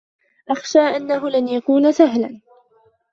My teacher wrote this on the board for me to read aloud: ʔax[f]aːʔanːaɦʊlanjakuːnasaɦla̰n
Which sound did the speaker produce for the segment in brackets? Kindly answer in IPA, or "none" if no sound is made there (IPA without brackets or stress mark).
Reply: ʃ